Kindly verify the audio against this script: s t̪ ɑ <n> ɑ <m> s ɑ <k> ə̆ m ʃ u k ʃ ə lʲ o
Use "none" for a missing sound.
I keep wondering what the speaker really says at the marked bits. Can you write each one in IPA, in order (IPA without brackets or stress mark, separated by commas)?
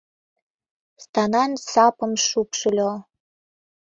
n, n, p